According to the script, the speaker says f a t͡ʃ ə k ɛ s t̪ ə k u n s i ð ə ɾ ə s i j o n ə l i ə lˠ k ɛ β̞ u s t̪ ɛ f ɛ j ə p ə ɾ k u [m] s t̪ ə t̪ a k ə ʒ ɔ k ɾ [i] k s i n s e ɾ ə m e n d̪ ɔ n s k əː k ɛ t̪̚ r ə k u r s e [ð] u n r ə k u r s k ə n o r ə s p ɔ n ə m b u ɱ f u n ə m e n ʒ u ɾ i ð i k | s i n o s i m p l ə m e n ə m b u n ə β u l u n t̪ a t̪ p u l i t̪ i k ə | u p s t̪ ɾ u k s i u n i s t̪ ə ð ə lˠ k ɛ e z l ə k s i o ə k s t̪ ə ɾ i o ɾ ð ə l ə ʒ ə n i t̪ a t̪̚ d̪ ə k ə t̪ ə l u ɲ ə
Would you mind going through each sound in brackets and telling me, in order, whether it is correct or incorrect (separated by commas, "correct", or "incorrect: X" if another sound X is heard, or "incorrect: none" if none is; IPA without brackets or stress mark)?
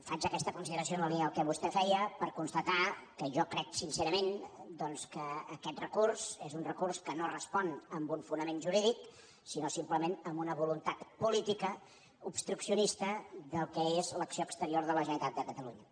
incorrect: n, incorrect: ɛ, incorrect: z